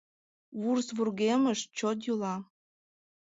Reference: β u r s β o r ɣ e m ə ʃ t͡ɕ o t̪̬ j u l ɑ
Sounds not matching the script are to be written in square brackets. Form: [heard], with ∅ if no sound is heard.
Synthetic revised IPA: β u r s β [u] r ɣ e m ə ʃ t͡ɕ o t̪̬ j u l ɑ